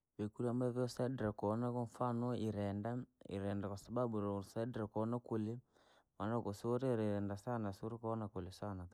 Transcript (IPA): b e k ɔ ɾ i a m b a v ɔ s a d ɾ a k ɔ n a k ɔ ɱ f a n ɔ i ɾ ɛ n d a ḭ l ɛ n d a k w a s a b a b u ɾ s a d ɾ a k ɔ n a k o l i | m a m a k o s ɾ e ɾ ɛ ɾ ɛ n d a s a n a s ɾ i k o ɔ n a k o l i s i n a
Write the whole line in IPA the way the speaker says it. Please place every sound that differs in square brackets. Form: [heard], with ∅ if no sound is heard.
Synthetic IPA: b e k [u] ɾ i a m b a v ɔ s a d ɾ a k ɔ n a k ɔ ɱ f a n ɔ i ɾ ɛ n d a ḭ [ɾ] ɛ n d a k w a s a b a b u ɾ s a d ɾ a k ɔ n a k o l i | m a [n] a k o s ɾ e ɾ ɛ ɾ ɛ n d a s a n a s ɾ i k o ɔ n a k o l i s [a] n a

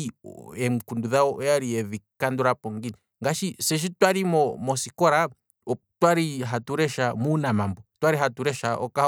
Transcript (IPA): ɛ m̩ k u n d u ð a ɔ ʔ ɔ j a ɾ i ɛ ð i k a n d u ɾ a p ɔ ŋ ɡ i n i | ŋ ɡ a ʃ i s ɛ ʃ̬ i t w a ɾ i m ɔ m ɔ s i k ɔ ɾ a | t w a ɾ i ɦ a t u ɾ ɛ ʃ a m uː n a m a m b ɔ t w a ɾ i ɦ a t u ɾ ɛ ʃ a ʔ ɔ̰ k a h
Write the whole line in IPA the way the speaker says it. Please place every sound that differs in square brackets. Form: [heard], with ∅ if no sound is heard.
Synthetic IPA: ɛ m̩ k u n d u ð a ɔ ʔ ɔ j a ɾ i ɛ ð i k a n d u ɾ a p ɔ ŋ ɡ i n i | ŋ ɡ a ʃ i s ɛ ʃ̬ i t w a ɾ i m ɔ m ɔ s i k ɔ ɾ a | t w a ɾ i ɦ a t u ɾ ɛ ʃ a m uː n a m a m b ɔ t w a ɾ i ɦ a t u ɾ ɛ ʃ a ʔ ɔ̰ k a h

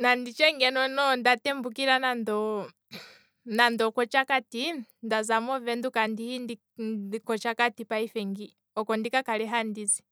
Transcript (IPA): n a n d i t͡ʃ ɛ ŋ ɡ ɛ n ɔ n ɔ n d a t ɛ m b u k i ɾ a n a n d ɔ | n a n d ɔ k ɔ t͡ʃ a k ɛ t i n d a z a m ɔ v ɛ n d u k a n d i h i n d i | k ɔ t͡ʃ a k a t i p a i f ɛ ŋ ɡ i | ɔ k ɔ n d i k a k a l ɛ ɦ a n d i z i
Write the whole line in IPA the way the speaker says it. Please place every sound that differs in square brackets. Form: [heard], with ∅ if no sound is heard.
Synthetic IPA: n a n d i t͡ʃ ɛ ŋ ɡ ɛ n ɔ n ɔ n d a t ɛ m b u k i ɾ a n a n d ɔ | n a n d ɔ k ɔ t͡ʃ a k [a] t i n d a z a m ɔ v ɛ n d u k a n d i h i n d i | k ɔ t͡ʃ a k a t i p a i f ɛ ŋ ɡ i | ɔ k ɔ n d i k a k a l ɛ ɦ a n d i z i

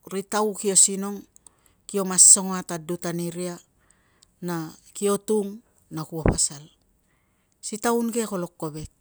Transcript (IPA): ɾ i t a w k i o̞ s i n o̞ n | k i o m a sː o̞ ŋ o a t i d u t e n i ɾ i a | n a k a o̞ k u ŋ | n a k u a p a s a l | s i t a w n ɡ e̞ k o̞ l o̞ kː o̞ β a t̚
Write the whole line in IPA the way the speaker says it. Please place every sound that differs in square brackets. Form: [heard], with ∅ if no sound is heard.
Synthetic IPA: ɾ i t a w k i o̞ s i n o̞ [ŋ] | k i o m a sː o̞ ŋ o a t [a] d u t [a] n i ɾ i a | n a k [i] o̞ [t] u ŋ | n a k u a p a s a l | s i t a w n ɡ e̞ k o̞ l o̞ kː o̞ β [e] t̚

